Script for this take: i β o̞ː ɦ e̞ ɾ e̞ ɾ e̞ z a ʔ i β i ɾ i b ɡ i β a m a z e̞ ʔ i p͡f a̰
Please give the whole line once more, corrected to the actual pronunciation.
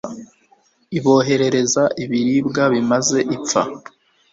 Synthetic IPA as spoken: i β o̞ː ɦ e̞ ɾ e̞ ɾ e̞ z a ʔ i β i ɾ i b ɡ a β i m a z e̞ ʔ i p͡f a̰